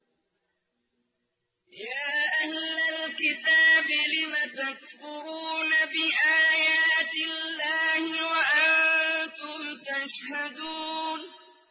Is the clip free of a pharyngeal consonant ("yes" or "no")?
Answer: yes